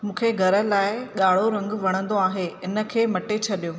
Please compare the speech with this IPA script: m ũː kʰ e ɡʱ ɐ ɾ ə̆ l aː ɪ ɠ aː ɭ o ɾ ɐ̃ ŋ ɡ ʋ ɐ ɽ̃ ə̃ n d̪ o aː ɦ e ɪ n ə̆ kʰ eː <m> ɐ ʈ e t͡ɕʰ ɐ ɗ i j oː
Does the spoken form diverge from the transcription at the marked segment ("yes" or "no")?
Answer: no